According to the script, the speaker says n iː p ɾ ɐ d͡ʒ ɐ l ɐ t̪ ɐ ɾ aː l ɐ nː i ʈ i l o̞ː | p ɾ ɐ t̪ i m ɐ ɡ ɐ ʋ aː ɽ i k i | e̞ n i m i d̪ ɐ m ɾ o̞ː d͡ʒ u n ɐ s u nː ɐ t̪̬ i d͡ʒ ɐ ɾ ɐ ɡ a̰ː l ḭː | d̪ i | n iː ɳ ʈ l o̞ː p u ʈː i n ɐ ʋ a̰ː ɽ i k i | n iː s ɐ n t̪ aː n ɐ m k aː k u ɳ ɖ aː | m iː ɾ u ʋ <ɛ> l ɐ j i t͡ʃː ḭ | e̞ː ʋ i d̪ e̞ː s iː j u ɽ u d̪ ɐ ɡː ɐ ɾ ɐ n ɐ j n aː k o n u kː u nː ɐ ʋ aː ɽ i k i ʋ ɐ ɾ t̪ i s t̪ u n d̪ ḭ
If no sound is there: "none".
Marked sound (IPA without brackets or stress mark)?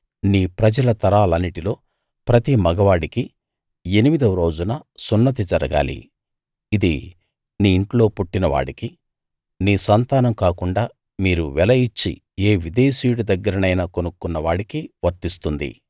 ɛ